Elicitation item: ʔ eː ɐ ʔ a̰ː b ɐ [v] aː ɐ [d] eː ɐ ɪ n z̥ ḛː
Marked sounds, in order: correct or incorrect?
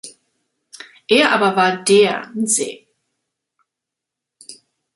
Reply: correct, correct

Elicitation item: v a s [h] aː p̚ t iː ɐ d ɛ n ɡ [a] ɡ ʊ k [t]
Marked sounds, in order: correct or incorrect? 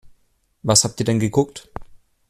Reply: correct, incorrect, correct

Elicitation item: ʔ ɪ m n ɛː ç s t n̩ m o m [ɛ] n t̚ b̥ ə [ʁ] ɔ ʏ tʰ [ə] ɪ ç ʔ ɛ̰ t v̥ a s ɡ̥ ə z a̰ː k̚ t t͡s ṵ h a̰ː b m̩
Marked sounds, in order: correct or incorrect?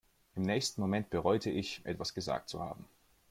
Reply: correct, correct, correct

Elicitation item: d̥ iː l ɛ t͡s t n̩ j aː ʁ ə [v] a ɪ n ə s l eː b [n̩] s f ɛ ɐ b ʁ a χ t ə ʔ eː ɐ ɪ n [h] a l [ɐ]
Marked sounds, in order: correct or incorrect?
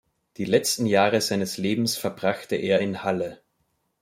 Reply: incorrect, incorrect, correct, incorrect

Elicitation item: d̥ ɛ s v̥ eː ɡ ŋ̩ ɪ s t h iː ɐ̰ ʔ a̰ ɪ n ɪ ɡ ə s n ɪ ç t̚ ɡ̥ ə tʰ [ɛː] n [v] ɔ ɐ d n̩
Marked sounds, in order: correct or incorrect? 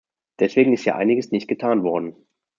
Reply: incorrect, correct

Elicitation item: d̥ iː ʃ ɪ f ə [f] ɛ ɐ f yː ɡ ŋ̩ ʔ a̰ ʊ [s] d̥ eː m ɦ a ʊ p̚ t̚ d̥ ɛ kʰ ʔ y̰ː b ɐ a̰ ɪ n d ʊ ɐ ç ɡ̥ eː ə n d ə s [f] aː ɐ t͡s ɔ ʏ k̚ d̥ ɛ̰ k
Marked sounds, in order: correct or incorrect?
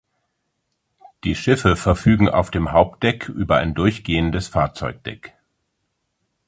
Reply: correct, incorrect, correct

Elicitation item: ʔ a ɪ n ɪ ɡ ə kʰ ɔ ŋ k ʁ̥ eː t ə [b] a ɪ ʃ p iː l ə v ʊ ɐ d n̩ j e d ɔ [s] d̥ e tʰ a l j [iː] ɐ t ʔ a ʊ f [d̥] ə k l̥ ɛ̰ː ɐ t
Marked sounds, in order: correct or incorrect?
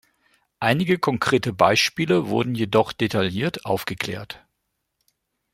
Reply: correct, incorrect, correct, incorrect

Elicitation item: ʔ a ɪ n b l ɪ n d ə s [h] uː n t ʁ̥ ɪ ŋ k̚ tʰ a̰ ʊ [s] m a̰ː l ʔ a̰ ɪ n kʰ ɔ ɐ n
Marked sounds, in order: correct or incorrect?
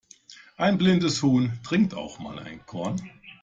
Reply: correct, incorrect

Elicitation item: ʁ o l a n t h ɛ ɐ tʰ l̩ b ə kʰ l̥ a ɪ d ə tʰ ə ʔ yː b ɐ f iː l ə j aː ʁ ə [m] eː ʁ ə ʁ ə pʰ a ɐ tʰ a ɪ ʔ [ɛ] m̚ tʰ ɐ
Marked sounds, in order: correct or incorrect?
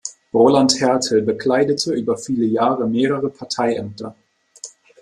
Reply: correct, correct

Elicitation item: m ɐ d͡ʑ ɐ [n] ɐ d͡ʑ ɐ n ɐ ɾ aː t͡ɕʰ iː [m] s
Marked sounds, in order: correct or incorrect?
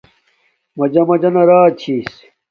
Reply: incorrect, incorrect

